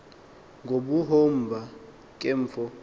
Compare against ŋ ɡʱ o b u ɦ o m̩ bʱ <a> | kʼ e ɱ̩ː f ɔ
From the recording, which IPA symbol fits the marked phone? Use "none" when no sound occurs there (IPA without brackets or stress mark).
a